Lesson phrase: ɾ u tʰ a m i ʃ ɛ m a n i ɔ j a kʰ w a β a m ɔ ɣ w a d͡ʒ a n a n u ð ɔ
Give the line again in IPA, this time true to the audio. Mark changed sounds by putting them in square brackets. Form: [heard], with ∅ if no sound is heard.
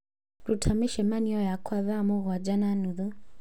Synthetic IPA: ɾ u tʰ a m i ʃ ɛ m a n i ɔ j a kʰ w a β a m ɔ ɣ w a d͡ʒ a n a n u ð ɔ